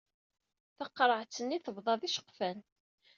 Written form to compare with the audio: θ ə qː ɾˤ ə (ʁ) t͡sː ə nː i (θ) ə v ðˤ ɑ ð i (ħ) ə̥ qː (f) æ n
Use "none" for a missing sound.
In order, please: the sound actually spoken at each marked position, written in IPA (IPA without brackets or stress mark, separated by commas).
ʕ, θ, ʃ, f